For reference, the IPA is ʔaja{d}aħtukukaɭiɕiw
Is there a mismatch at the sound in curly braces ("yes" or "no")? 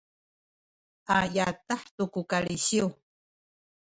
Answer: yes